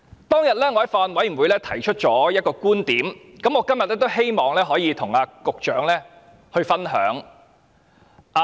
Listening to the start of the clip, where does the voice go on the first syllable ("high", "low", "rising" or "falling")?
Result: high